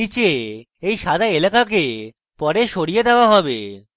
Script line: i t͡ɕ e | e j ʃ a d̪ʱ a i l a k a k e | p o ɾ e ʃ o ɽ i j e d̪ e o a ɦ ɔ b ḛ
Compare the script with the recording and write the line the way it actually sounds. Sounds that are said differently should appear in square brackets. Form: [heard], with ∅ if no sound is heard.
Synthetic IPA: i t͡ɕ e | e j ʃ a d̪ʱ a [e] l a k a k e | p [ɔ] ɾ e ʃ o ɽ i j e d̪ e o a ɦ ɔ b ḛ